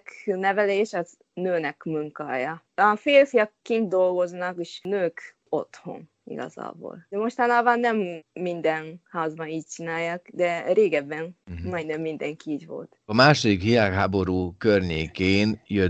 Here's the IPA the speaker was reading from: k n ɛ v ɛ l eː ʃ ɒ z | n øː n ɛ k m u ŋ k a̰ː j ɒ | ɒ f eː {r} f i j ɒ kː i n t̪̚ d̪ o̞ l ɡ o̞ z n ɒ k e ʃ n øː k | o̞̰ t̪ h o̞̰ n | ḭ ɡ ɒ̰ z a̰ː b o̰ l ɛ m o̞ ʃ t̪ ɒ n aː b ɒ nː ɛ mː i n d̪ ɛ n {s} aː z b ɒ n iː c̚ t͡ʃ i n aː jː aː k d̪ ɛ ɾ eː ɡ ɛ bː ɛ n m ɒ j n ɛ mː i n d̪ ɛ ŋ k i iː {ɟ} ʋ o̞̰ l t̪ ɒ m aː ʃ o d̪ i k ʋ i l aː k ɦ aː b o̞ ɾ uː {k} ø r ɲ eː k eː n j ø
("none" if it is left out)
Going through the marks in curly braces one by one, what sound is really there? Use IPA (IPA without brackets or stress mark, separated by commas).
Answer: l, h, ɟ, k